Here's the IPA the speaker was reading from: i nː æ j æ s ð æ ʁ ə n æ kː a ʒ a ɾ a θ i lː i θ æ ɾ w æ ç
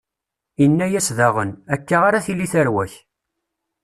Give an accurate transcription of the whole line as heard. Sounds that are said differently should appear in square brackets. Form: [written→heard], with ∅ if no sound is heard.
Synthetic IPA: i nː æ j æ s ð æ ʁ ə n æ kː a [ʒ→ʁ] a ɾ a θ i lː i θ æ ɾ w æ ç